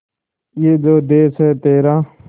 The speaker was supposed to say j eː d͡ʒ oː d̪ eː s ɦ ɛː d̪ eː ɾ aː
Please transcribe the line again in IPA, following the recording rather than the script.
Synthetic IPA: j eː d͡ʒ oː d̪ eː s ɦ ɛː t̪ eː ɾ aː